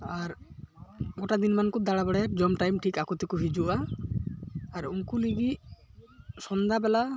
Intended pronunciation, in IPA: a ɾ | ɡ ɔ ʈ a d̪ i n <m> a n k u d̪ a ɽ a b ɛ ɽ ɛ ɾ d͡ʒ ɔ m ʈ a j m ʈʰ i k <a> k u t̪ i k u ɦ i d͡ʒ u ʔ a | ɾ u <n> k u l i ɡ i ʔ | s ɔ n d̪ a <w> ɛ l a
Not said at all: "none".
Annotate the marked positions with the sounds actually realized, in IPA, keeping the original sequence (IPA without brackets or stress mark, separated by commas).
m, a, ŋ, b